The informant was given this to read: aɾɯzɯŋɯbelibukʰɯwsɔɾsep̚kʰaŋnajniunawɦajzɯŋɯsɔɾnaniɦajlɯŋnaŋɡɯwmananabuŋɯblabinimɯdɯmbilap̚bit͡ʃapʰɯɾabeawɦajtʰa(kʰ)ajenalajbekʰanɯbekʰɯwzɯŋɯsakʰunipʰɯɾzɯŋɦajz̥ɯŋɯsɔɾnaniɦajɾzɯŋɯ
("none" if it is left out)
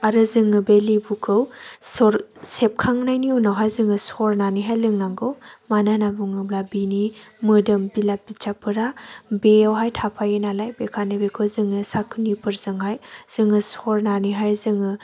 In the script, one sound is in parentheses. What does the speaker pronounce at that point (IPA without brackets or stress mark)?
pʰ